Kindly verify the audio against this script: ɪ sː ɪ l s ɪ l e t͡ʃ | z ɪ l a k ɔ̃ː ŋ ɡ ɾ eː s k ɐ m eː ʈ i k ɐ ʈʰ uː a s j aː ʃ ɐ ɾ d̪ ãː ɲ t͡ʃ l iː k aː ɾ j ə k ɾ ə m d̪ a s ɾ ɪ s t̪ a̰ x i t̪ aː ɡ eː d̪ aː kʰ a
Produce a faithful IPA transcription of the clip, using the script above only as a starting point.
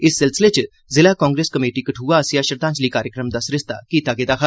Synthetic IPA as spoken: ɪ sː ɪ l s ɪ l e t͡ʃ | z ɪ l a k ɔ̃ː ŋ ɡ ɾ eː s k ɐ m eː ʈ i k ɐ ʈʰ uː a s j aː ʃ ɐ ɾ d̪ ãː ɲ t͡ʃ l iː k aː ɾ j ə k ɾ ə m d̪ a s ɾ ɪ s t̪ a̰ k i t̪ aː ɡ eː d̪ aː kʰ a